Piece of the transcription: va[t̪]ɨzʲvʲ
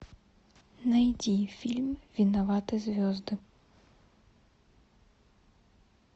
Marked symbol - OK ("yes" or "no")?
yes